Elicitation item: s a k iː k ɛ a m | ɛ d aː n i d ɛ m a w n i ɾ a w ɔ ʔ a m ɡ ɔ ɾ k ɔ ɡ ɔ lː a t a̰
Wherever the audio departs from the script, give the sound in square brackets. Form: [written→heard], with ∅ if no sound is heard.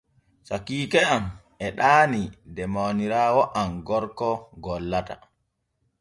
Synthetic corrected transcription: s a k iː k ɛ a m | ɛ [d→ɗ] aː n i d ɛ m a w n i ɾ a w ɔ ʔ a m ɡ ɔ ɾ k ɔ ɡ ɔ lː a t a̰